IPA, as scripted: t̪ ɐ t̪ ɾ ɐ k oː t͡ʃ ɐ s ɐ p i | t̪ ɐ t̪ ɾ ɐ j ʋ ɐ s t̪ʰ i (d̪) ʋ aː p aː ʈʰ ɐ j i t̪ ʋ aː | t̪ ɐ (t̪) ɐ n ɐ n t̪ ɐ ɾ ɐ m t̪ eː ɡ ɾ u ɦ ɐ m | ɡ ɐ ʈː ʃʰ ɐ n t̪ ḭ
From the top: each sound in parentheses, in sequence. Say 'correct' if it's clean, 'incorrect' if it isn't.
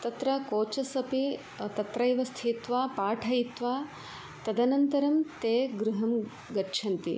incorrect: t̪, incorrect: d̪

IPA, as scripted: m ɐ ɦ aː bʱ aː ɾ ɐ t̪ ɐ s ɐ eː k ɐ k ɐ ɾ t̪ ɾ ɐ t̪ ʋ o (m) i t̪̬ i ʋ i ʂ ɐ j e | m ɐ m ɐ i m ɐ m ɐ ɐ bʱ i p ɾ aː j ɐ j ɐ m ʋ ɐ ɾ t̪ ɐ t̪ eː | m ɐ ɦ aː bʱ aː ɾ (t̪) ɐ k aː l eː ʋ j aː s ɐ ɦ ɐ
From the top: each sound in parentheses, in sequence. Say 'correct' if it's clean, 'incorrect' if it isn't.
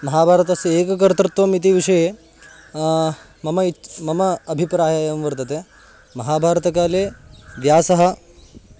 correct, correct

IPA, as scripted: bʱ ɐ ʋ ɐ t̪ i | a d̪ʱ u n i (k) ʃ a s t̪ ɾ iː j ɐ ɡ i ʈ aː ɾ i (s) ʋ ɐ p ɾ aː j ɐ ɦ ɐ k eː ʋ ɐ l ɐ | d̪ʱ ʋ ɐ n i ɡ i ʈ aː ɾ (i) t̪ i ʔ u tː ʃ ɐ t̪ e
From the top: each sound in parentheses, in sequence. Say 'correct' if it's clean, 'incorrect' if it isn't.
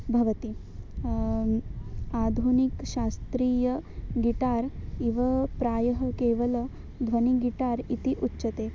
correct, incorrect: none, correct

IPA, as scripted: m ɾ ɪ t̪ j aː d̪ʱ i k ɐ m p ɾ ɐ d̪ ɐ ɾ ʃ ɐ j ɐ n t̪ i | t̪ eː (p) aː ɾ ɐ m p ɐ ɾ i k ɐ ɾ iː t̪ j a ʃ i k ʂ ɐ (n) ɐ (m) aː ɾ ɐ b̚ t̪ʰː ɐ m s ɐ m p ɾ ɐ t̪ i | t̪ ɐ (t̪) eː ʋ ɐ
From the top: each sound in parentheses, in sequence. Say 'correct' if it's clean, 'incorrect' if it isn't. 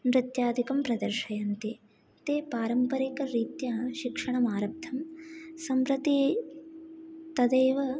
correct, incorrect: ɳ, correct, incorrect: d̪

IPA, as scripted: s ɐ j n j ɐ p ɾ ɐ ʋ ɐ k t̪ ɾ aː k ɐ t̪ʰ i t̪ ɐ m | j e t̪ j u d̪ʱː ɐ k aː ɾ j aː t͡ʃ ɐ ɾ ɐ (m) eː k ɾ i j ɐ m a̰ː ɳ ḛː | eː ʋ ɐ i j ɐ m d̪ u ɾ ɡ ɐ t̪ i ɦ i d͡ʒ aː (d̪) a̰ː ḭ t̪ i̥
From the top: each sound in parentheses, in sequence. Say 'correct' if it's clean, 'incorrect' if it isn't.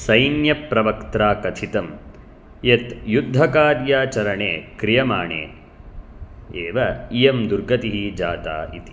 incorrect: ɳ, incorrect: t̪

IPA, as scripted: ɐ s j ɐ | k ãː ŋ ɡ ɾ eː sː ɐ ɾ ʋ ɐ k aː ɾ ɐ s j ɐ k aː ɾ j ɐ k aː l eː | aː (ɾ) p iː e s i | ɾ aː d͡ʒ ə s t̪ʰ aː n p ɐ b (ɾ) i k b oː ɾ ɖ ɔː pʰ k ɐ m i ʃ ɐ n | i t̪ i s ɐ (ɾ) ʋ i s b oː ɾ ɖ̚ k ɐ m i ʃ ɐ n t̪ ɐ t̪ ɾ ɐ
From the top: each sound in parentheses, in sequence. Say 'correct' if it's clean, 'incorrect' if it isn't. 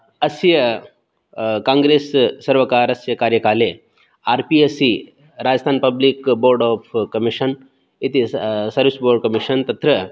correct, incorrect: l, correct

